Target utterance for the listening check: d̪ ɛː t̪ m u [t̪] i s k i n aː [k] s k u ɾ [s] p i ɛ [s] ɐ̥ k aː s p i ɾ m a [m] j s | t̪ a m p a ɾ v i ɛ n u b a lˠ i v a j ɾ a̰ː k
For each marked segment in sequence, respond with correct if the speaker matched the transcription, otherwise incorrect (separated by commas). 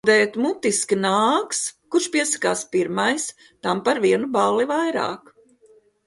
correct, correct, incorrect, correct, incorrect